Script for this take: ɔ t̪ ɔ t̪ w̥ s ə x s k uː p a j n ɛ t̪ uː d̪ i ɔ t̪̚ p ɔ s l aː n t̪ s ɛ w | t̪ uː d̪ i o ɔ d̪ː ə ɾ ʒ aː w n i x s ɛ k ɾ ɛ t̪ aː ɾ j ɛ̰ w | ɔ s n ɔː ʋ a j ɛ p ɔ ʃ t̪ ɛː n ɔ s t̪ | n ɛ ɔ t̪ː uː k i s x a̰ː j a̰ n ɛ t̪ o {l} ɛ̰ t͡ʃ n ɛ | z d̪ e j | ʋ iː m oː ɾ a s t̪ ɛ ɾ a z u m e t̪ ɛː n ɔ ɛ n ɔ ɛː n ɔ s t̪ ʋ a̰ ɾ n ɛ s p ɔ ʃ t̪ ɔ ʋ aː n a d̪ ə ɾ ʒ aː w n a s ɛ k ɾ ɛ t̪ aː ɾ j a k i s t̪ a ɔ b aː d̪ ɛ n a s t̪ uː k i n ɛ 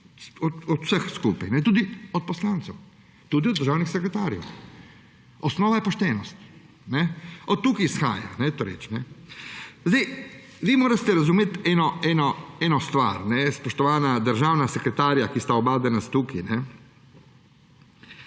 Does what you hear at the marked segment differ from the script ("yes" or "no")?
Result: yes